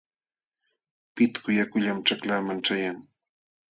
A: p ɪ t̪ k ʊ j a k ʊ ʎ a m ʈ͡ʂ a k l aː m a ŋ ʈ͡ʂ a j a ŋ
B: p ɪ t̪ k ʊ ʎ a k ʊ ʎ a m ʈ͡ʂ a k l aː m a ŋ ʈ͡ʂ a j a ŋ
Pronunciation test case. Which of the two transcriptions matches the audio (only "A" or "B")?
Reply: A